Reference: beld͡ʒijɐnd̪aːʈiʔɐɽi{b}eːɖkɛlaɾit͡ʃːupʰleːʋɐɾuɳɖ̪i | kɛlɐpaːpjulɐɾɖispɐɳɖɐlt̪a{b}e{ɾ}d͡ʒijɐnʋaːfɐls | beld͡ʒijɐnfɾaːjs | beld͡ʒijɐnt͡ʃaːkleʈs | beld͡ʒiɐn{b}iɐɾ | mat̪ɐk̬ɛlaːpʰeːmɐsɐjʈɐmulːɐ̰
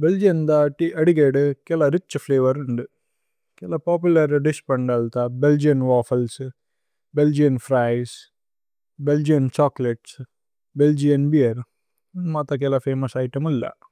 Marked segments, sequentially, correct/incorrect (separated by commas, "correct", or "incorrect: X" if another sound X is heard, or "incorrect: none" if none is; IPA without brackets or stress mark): incorrect: ɡ, correct, incorrect: l, correct